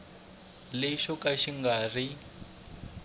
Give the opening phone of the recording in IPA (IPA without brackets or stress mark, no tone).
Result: l